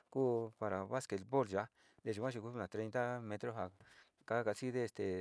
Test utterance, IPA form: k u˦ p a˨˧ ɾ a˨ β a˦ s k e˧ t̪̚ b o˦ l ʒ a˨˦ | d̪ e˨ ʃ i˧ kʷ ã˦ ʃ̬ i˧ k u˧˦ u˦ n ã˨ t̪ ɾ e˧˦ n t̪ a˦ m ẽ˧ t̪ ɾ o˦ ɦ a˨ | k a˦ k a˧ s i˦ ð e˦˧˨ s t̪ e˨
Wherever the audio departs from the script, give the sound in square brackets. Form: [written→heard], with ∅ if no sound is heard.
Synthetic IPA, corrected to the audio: k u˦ p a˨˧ ɾ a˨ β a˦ s k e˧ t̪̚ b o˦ l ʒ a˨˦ | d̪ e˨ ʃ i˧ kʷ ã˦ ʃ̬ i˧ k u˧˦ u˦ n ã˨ t̪ ɾ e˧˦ n t̪ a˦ m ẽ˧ t̪ ɾ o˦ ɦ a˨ | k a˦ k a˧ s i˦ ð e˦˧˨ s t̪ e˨